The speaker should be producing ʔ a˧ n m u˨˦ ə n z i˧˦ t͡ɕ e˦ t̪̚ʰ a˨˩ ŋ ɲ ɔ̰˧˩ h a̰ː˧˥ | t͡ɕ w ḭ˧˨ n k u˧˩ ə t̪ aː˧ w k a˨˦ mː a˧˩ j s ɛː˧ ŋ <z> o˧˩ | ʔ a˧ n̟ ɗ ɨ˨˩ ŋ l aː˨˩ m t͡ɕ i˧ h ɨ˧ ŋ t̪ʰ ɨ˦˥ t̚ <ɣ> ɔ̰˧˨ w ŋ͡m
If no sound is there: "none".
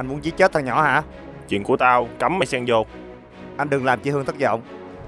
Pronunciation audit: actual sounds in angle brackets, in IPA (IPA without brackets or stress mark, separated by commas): z, z